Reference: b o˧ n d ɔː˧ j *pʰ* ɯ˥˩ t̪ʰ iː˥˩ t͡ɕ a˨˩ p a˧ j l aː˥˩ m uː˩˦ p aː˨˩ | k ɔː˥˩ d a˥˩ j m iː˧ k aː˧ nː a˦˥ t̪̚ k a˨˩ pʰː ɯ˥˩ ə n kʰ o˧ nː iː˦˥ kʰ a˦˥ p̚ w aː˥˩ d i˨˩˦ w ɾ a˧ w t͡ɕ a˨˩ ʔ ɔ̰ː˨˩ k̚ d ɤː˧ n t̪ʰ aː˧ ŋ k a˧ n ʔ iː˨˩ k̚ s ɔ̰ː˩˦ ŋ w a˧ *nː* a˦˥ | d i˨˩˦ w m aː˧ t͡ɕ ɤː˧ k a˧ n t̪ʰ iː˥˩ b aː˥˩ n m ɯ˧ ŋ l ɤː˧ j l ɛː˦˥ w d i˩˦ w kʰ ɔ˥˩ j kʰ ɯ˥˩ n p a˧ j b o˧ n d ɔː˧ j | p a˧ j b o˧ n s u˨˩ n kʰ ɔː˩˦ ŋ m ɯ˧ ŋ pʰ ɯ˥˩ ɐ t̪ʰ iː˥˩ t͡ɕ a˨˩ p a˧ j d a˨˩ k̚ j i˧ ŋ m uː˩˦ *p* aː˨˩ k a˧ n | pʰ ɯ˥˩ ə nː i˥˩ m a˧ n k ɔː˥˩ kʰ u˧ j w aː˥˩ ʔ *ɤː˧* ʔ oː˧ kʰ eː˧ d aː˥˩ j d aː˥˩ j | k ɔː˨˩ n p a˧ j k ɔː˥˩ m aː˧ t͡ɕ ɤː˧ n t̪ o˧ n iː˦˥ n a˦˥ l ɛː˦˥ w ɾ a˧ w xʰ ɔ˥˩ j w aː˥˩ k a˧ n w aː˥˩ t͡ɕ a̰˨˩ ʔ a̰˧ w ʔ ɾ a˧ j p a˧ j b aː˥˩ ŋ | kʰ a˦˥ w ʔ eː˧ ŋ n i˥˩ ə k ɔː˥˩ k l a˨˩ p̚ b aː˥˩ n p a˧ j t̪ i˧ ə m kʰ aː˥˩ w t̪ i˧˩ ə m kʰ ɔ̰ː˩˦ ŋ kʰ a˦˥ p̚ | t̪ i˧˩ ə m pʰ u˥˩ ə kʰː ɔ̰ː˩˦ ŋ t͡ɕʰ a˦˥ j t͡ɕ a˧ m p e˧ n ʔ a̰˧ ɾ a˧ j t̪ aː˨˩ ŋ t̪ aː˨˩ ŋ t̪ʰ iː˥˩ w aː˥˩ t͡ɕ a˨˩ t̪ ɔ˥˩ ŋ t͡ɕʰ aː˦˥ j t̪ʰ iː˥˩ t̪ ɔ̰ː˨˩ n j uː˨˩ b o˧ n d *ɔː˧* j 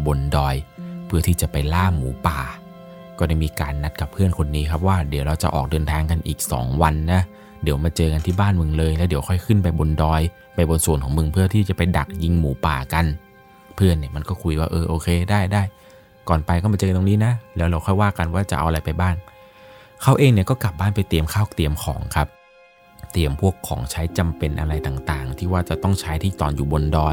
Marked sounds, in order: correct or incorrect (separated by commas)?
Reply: correct, correct, correct, correct, correct